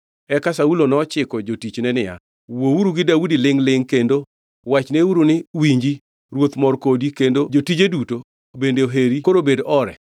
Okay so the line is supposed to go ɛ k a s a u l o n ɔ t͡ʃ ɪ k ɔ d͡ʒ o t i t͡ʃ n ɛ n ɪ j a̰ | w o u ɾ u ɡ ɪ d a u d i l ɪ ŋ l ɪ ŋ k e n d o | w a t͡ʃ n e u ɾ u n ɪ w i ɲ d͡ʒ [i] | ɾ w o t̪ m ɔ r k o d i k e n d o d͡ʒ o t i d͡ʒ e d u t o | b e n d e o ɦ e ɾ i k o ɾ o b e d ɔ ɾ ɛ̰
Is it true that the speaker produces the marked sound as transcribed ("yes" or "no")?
yes